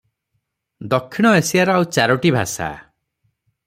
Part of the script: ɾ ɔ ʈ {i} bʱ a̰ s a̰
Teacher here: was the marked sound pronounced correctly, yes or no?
yes